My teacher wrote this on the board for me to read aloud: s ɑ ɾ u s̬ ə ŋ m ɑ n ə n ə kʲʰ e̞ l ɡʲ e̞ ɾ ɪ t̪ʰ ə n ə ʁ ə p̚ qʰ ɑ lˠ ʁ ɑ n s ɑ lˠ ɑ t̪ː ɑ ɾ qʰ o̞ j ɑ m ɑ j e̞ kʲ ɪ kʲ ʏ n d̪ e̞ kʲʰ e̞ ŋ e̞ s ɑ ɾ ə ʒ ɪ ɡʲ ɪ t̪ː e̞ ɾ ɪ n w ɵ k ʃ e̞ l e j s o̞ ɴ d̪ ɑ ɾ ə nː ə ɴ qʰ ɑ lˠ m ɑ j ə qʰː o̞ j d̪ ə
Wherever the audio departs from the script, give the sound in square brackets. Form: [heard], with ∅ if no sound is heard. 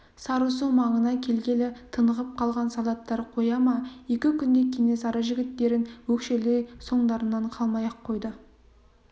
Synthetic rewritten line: s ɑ ɾ u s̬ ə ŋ m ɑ [ɴ] ə n [ɑ] kʲʰ e̞ l ɡʲ e̞ [l] ɪ t̪ʰ ə n ə ʁ ə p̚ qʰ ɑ lˠ ʁ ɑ n s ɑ lˠ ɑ t̪ː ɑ ɾ qʰ o̞ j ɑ m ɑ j e̞ kʲ ɪ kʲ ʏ n d̪ e̞ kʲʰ e̞ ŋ e̞ s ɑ ɾ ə ʒ ɪ ɡʲ ɪ t̪ː e̞ ɾ ɪ n w ɵ k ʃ e̞ l e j s o̞ ɴ d̪ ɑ ɾ ə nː [ɑ] ɴ qʰ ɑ lˠ m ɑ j [ɑ] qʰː o̞ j d̪ ə